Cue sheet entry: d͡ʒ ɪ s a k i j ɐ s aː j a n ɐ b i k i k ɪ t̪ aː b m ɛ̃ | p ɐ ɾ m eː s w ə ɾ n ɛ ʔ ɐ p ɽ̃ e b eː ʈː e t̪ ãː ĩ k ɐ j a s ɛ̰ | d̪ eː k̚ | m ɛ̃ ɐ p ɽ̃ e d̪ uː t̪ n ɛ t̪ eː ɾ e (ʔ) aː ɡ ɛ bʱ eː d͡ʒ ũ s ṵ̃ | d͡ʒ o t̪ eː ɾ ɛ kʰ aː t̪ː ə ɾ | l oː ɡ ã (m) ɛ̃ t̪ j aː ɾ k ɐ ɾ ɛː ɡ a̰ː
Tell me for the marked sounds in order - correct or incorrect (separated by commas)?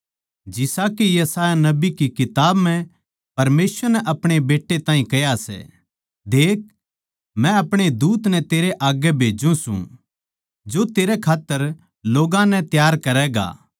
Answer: correct, incorrect